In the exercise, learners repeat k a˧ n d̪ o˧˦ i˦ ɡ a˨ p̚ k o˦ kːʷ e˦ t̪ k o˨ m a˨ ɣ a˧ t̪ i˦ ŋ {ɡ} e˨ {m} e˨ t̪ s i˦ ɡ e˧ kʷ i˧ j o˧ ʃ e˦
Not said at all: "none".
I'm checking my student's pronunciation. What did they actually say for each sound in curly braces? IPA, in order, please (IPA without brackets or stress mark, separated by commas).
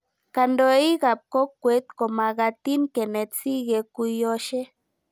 k, n